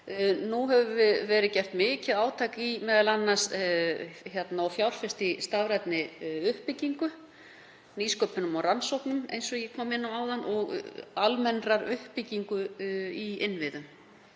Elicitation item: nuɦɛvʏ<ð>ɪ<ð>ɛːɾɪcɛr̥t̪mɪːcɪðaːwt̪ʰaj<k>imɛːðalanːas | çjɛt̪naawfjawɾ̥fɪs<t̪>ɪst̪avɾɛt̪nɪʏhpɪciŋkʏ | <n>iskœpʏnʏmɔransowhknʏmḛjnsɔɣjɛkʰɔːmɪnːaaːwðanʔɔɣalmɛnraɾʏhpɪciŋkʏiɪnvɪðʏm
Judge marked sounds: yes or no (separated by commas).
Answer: no, no, yes, yes, yes